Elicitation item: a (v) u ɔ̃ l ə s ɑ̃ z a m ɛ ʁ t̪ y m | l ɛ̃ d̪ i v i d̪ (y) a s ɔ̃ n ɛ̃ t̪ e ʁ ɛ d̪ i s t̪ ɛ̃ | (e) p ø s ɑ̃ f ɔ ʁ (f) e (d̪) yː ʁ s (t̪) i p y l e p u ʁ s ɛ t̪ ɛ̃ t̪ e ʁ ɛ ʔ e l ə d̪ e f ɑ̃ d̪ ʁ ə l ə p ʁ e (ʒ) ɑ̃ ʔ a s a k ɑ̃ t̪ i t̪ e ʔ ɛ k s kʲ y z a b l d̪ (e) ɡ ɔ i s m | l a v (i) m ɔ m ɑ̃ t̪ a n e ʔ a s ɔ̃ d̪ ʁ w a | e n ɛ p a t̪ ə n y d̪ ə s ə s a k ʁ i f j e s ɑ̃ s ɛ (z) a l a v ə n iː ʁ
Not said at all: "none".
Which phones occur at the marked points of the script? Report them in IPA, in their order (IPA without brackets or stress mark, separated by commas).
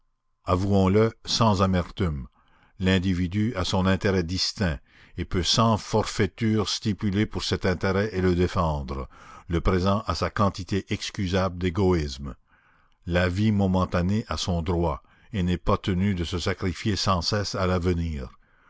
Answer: v, y, e, f, t̪, t̪, z, e, i, s